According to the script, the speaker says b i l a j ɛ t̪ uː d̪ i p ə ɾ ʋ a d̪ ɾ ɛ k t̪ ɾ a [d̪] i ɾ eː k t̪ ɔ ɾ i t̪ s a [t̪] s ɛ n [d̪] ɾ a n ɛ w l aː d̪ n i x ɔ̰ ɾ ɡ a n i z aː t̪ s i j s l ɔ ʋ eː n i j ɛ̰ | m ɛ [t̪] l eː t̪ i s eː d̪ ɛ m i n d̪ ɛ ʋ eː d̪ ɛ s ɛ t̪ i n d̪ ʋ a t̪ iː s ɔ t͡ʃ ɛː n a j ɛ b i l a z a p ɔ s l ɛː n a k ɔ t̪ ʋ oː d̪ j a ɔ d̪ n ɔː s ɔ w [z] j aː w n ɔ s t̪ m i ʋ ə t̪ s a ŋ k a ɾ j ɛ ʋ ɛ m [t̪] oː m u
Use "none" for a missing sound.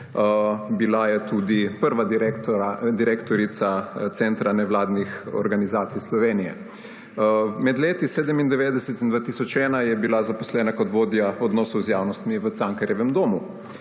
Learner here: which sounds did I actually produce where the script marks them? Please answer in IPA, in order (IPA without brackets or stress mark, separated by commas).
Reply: d̪, t̪, t̪, d̪, z, d̪